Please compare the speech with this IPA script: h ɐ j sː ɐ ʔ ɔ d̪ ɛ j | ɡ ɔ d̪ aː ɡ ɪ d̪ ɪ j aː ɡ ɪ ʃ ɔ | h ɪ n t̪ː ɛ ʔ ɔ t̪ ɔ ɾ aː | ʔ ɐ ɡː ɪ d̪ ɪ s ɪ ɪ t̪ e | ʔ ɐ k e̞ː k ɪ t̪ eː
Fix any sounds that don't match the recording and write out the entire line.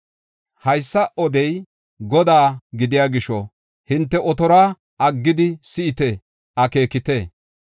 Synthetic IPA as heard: h ɐ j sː ɐ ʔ ɔ d̪ ɛ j | ɡ ɔ d̪ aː ɡ ɪ d̪ ɪ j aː ɡ ɪ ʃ ɔ | h ɪ n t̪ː ɛ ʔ ɔ t̪ ɔ ɾ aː | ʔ ɐ ɡː ɪ d̪ ɪ s ɪ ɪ t̪ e | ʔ ɐ k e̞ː k ɪ t̪ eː